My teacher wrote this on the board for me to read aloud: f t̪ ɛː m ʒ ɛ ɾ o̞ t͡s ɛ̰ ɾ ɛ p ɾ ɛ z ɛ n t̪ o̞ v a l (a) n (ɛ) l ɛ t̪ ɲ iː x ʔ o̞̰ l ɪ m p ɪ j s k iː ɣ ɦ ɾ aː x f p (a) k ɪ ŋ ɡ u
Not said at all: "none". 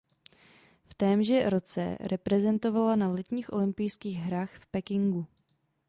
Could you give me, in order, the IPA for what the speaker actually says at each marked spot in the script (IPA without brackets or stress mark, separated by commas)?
a, a, ɛ